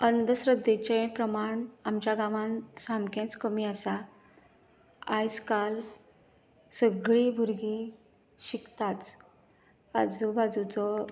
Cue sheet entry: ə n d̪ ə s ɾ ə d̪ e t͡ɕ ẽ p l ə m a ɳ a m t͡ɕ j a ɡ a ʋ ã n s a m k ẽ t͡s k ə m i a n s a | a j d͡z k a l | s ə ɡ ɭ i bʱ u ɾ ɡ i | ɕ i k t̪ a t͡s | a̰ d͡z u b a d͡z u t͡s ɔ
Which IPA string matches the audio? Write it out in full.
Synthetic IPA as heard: ə n d̪ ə s ɾ ə d̪ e t͡ɕ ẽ p ɾ ə m a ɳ a m t͡ɕ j a ɡ a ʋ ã n s a m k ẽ t͡s k ə m i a s a | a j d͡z k a l | s ə ɡ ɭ i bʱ u ɾ ɡ i | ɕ i k t̪ a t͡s | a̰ d͡z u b a d͡z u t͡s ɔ